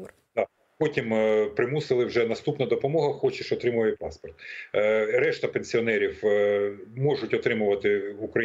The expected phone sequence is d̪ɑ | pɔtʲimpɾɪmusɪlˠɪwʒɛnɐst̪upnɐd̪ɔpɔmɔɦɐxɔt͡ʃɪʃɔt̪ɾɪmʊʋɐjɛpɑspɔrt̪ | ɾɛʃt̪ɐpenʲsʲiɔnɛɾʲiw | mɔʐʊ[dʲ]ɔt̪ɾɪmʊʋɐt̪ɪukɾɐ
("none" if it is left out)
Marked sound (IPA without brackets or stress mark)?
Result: tʲ